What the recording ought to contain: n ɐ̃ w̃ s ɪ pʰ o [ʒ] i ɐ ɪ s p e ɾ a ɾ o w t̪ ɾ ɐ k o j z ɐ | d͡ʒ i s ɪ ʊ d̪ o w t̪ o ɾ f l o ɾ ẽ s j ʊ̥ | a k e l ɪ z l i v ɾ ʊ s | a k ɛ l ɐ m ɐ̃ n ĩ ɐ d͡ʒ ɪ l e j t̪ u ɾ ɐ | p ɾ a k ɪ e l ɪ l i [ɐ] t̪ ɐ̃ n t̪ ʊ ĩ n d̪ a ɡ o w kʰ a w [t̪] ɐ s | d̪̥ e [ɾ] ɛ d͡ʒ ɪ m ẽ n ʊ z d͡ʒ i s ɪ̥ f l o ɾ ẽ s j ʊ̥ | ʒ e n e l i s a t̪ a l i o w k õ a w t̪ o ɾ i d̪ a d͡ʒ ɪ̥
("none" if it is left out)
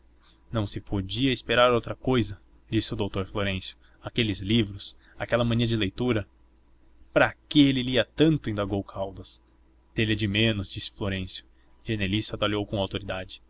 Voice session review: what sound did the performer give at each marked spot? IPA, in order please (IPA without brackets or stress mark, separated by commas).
d͡ʒ, ɐ, d̪, l